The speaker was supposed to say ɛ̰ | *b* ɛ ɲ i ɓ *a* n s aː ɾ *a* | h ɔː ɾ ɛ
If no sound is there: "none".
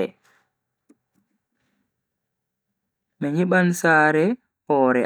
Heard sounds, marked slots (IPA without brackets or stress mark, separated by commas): m, a, ɛ